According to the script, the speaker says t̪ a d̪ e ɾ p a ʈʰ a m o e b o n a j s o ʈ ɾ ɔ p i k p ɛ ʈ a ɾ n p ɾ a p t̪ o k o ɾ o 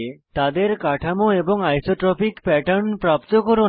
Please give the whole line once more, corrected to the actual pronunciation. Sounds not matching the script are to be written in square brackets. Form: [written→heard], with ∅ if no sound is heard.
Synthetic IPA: t̪ a d̪ e ɾ [p→k] a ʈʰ a m o e b o [n→ŋ] a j s o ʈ ɾ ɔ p i k p ɛ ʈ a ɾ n p ɾ a p t̪ o k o ɾ o